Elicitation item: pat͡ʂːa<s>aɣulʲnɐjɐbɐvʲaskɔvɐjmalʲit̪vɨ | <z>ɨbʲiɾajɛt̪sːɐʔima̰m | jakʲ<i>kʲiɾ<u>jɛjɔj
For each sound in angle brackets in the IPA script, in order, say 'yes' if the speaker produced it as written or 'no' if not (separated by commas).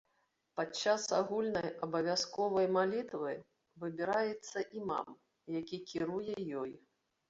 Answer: yes, no, yes, yes